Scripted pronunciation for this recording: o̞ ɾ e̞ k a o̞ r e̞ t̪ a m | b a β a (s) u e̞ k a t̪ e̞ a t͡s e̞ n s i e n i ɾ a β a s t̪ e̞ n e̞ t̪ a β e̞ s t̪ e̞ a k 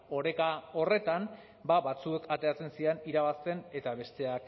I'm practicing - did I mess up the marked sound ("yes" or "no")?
yes